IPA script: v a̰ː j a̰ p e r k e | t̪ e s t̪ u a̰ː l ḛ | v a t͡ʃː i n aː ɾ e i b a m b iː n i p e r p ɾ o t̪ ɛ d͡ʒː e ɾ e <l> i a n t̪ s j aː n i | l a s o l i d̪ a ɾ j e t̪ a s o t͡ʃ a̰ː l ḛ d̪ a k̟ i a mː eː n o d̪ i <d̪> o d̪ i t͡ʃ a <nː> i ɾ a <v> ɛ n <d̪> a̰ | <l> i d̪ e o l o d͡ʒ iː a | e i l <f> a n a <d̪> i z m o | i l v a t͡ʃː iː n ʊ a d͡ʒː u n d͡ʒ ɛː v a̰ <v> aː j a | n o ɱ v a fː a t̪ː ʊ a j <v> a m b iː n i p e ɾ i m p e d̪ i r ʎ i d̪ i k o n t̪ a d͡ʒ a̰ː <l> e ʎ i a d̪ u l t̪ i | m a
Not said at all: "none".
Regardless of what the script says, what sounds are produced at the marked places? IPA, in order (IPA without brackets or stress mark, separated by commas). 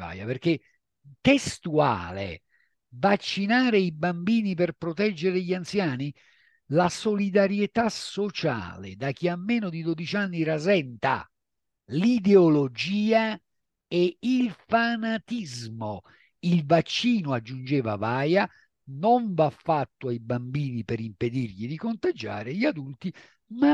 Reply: ʎ, d̪, nː, z, t̪, l, f, t̪, v, b, ɾ